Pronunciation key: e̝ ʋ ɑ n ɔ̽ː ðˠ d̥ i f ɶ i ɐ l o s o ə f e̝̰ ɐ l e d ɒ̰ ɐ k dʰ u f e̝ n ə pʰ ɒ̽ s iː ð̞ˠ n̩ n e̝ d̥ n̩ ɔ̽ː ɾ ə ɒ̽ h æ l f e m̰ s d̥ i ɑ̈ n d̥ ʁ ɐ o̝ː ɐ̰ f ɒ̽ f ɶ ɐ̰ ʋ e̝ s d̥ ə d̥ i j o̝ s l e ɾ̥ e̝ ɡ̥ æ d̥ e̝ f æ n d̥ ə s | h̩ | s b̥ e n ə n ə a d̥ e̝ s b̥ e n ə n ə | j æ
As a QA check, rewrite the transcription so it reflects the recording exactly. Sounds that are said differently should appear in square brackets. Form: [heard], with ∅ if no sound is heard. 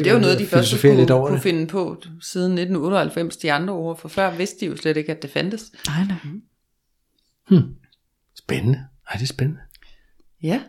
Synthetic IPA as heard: e̝ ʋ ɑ n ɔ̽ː ðˠ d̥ i f ɶ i ɐ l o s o ə f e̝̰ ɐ l e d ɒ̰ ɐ k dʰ u f e̝ n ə pʰ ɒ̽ s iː ð̞ˠ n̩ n e̝ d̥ n̩ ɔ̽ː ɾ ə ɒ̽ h æ l f e m̰ s d̥ i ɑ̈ n d̥ ʁ ɐ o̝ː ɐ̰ f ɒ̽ f ɶ ɐ̰ ʋ e̝ s d̥ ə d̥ i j o̝ s l e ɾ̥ e̝ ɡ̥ æ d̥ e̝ f æ n d̥ ə s | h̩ | s b̥ e n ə n ə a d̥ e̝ s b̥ e n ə n ə | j æ